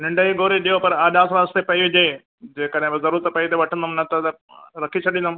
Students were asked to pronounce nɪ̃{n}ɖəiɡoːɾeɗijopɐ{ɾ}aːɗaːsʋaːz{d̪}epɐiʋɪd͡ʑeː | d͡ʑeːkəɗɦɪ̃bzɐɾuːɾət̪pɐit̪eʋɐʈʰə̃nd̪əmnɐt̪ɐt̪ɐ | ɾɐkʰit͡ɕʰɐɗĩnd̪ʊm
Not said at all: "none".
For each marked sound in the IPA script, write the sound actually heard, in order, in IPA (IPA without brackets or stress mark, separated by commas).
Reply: ɳ, ɾ, t̪